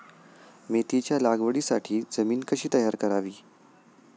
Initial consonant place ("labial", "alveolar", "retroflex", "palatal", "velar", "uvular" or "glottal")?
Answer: labial